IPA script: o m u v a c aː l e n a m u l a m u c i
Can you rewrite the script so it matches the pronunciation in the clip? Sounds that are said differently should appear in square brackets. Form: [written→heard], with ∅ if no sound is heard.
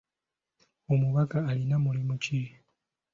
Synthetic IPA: o m u [v→β] a [c→k] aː l [e→i] n a m u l [a→i] m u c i